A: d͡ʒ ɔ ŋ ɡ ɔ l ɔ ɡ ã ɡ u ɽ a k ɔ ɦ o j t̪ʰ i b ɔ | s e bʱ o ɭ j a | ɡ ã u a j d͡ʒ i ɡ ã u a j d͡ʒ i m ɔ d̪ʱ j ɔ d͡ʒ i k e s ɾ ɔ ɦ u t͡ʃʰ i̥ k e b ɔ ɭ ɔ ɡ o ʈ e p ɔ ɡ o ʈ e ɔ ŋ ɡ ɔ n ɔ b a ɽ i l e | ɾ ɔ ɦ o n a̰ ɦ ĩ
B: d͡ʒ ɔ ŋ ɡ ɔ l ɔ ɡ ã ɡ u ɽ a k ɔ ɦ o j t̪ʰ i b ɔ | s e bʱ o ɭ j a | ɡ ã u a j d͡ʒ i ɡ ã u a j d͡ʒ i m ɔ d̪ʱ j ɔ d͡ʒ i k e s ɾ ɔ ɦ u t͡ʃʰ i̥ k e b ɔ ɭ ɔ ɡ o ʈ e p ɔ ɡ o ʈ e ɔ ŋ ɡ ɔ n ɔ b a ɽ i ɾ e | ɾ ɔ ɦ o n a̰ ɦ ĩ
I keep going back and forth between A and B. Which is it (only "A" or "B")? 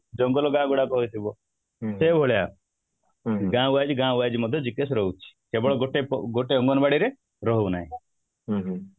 B